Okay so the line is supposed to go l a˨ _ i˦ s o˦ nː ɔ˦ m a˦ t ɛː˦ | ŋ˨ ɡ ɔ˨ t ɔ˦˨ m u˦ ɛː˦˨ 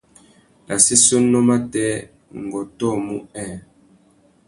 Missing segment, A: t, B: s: B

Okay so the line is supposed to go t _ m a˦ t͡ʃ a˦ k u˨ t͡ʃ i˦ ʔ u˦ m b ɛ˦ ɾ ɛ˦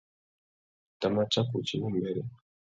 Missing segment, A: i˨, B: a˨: B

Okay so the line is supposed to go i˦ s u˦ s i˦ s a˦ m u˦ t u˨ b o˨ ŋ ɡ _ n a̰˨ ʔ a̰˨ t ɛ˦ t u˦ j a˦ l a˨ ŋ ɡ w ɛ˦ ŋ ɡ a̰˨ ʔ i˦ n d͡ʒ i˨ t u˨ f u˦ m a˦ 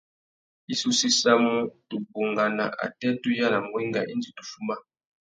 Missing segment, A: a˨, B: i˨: A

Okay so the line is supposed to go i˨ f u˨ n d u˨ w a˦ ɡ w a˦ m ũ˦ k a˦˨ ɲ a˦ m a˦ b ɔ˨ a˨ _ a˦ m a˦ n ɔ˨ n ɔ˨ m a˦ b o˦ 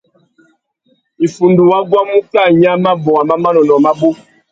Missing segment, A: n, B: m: B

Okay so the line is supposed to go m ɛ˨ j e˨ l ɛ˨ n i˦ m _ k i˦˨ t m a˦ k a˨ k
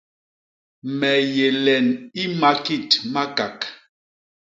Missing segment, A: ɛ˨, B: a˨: B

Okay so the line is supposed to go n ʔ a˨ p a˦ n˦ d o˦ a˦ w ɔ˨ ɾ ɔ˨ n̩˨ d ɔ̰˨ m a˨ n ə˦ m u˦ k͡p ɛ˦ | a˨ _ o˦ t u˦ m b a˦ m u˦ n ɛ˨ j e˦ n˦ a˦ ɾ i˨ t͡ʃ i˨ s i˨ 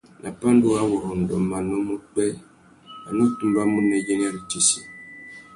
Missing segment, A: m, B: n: B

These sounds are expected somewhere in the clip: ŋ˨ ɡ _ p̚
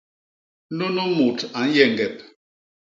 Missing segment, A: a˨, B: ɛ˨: B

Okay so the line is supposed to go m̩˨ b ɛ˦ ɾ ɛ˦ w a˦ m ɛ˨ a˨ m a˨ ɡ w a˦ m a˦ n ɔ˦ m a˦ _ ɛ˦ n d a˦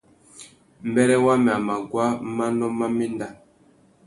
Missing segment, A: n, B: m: B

